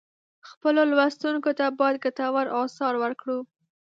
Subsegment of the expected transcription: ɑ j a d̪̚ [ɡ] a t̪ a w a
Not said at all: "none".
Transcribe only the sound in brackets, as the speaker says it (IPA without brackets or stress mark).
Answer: ɡ